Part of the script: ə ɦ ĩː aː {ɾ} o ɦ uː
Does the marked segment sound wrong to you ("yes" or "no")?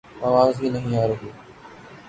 no